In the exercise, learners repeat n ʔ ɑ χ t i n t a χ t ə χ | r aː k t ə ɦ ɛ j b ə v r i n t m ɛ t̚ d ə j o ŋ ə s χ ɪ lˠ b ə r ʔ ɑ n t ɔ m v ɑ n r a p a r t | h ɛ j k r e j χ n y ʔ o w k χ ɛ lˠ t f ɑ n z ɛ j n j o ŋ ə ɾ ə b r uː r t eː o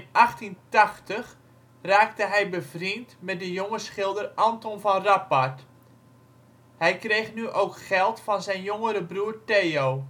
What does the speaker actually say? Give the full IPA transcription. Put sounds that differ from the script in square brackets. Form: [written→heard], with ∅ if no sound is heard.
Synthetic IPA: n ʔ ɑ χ t i n t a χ t ə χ | r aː k t ə ɦ ɛ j b ə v r i n t m ɛ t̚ d ə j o ŋ ə s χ ɪ lˠ [b→d] ə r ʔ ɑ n t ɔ [m→n] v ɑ n r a p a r t | h ɛ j k r e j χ n y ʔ o w k χ ɛ lˠ t f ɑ n z ɛ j n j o ŋ ə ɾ ə b r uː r t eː o

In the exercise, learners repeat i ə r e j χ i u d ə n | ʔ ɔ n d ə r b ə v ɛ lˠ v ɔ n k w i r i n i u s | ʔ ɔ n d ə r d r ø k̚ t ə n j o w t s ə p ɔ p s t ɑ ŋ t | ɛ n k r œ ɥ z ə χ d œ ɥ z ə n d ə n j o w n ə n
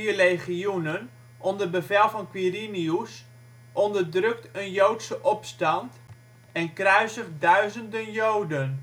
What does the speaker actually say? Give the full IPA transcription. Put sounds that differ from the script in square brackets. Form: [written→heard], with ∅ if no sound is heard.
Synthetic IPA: i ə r e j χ i u [d→n] ə n | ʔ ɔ n d ə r b ə v ɛ lˠ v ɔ n k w i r i n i u s | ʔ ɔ n d ə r d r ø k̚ t ə n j o w t s ə [p→ʔ] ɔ p s t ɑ [ŋ→n] t | ɛ n k r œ ɥ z ə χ d œ ɥ z ə n d ə n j o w [n→d] ə n

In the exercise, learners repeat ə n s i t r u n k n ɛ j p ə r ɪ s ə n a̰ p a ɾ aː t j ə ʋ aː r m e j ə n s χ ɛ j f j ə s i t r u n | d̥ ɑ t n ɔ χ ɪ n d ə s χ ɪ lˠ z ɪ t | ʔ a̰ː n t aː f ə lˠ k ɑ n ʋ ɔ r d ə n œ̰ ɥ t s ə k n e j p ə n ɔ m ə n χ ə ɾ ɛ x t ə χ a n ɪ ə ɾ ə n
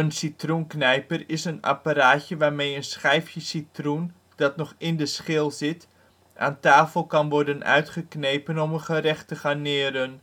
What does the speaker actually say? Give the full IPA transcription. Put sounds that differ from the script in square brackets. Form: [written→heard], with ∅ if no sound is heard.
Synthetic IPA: ə n s i t r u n k n ɛ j p ə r ɪ s ə n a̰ p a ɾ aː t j ə ʋ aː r m e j ə n s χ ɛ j f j ə s i t r u n | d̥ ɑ t n ɔ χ ɪ n d ə s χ ɪ lˠ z ɪ t | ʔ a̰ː n t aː f ə lˠ k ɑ n ʋ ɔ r d ə n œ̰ ɥ t [s→χ] ə k n e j p ə n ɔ m ə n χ ə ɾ ɛ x t ə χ a n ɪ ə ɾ ə n

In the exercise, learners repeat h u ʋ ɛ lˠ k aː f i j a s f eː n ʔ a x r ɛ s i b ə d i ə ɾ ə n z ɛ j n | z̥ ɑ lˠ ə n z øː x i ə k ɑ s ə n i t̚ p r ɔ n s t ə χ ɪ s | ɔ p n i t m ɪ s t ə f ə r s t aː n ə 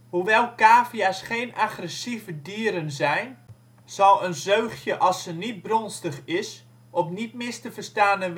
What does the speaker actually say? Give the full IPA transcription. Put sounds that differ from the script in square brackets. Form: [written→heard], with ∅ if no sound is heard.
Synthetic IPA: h u ʋ ɛ lˠ k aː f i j a s [f→χ] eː n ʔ a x r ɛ s i [b→v] ə d i ə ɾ ə n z ɛ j n | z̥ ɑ lˠ ə n z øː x [i→j] ə [k→ʔ] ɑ s ə n i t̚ [p→b] r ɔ n s t ə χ ɪ s | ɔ p n i t m ɪ s t ə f ə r s t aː n ə

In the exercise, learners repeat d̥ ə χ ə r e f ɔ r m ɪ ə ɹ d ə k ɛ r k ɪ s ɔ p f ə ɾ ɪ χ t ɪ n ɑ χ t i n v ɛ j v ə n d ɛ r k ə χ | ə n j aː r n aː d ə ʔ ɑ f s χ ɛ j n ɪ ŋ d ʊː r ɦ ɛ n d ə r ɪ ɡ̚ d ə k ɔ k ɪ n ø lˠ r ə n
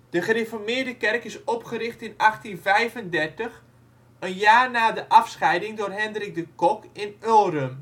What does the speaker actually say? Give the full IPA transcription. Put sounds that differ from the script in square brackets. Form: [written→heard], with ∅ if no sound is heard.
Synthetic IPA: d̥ ə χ ə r e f ɔ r m ɪ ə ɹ d ə k ɛ r k ɪ s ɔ p [f→χ] ə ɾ ɪ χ t ɪ n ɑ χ t i n v ɛ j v ə n d ɛ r [k→t] ə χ | ə n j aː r n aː d ə ʔ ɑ f s χ ɛ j [n→d] ɪ ŋ d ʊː r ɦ ɛ n d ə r ɪ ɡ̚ d ə k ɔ k ɪ n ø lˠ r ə [n→m]

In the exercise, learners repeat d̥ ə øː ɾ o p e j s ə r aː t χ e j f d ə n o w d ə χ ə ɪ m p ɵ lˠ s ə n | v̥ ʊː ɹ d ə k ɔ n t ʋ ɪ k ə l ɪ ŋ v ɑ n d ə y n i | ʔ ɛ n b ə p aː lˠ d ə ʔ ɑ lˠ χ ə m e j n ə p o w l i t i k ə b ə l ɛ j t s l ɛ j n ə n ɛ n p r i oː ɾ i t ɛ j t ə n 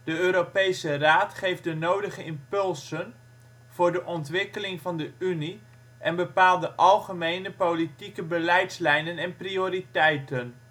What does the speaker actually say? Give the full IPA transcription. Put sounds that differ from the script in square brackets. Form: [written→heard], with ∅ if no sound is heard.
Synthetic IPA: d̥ ə øː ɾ o p e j s ə r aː t χ e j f d ə n o w d ə χ ə ɪ m p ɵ lˠ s ə n | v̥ ʊː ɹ d ə [k→ʔ] ɔ n t ʋ ɪ k ə l ɪ ŋ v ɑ n d ə y n i | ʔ ɛ n b ə p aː lˠ d ə ʔ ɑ lˠ χ ə m e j n ə p o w l i t i k ə b ə l ɛ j t s l ɛ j n ə n ɛ n p r i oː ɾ i t ɛ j t ə n

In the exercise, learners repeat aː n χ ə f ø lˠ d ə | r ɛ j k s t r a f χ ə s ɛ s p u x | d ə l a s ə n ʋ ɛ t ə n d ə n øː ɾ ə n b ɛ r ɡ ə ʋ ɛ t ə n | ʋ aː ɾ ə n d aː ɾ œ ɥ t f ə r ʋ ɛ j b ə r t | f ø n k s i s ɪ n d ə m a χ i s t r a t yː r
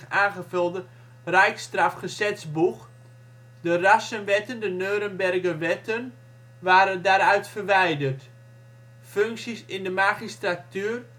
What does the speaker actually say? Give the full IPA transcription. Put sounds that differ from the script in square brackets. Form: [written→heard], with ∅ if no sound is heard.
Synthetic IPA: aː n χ ə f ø lˠ d ə | r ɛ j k s t r a f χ ə s ɛ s [p→b] u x | d ə [l→r] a s ə n ʋ ɛ t ə n d ə n øː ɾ ə n b ɛ r ɡ ə ʋ ɛ t ə n | ʋ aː ɾ ə n d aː ɾ œ ɥ t f ə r ʋ ɛ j [b→d] ə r t | f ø [n→ŋ] k s i s ɪ n d ə m a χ i s t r a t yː r

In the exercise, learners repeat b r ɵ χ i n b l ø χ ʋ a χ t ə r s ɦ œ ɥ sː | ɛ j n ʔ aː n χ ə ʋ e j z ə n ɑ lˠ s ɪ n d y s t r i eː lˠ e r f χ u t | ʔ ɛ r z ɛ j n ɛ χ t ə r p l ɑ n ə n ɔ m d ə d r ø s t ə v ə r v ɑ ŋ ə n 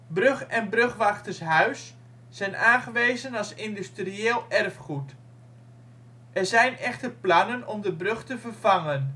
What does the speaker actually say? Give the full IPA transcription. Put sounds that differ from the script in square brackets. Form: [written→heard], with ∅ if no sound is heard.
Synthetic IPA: b r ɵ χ [i→ɛ] n b [l→r] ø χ ʋ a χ t ə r s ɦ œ ɥ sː | ɛ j n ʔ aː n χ ə ʋ e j z ə n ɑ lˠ s ɪ n d y s t r i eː lˠ [e→ɛ] r f χ u t | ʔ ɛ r z ɛ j n ɛ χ t ə r p l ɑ n ə n ɔ m d ə [d→b] r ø [s→χ] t ə v ə r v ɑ ŋ ə n

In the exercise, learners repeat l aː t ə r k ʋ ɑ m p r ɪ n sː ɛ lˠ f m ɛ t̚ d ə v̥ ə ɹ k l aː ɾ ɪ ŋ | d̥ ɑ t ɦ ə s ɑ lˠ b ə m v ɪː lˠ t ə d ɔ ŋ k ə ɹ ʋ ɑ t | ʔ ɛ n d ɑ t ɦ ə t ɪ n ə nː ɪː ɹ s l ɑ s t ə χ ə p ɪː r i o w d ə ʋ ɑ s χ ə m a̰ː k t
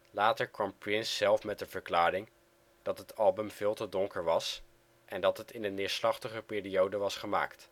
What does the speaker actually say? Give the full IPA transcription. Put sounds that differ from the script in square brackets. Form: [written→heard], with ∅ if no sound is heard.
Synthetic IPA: l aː t ə [r→ɹ] k ʋ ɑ m p r ɪ n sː ɛ lˠ f m ɛ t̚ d ə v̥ ə ɹ k l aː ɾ ɪ ŋ | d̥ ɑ t ɦ ə [s→t] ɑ lˠ b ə m v ɪː lˠ t ə d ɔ ŋ k ə ɹ ʋ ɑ [t→s] | ʔ ɛ n d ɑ t ɦ ə t ɪ n ə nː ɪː ɹ s l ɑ [s→χ] t ə χ ə p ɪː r i o w d ə ʋ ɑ s χ ə m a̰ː k t

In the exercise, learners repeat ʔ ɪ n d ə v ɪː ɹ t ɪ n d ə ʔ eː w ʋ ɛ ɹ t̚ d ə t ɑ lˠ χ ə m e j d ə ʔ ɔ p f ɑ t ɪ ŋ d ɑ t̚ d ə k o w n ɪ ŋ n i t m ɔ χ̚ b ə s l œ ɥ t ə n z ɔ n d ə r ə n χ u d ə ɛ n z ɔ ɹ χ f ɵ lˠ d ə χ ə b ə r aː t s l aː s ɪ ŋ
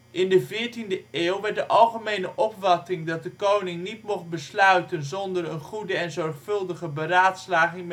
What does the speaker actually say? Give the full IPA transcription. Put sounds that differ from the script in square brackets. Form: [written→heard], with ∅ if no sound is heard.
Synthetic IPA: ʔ ɪ n d ə v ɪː ɹ t [ɪ→i] n d ə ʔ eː w ʋ ɛ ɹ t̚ d ə [t→ʔ] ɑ lˠ χ ə m e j [d→n] ə ʔ ɔ p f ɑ t ɪ ŋ d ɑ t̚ d ə k o w n ɪ ŋ n i t m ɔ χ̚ b ə s l œ ɥ t ə n z ɔ n d ə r ə n χ u d ə ɛ n z ɔ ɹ χ f ɵ lˠ d ə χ ə b ə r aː t s l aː [s→χ] ɪ ŋ

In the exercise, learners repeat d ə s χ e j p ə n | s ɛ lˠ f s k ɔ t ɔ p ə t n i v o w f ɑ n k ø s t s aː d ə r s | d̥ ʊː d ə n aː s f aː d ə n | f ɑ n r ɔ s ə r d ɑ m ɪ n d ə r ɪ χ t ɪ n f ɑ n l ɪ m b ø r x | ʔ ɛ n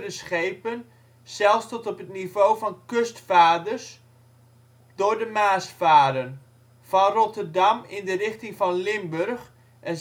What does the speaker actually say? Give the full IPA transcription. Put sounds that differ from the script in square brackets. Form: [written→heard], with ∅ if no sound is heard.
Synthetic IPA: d ə s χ e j p ə n | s ɛ lˠ f s [k→t] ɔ t ɔ p ə t n i v o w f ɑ n k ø s t [s→f] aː d ə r s | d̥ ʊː d ə [n→m] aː s f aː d ə n | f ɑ n r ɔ [s→t] ə r d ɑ m ɪ n d ə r ɪ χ t ɪ [n→ŋ] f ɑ n l ɪ m b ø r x | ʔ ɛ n

